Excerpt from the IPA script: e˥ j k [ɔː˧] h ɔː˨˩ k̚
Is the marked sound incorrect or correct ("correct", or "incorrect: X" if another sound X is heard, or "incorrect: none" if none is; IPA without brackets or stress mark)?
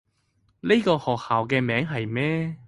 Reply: correct